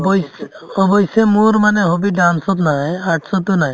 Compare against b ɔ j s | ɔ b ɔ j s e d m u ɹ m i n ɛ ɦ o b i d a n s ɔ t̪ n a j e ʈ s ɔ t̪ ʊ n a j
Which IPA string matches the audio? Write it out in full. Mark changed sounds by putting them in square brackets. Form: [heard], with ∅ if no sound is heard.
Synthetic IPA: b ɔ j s | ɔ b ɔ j s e [∅] m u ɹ m [a] n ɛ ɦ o b i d a n s ɔ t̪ n a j [a] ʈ s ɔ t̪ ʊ n a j